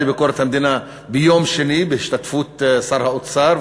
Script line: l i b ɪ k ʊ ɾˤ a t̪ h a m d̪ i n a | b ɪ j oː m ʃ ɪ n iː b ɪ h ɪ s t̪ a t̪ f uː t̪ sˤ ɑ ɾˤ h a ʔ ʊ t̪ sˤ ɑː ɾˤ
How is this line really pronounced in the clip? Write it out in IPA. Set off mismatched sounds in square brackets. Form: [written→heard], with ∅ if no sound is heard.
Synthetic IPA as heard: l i b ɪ k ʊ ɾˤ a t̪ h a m d̪ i n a | b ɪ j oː m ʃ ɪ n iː b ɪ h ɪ [s→ʃ] t̪ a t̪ f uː t̪ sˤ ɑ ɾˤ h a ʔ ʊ t̪ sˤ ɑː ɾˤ